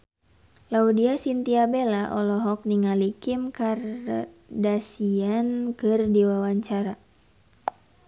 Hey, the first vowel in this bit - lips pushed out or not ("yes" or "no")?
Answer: no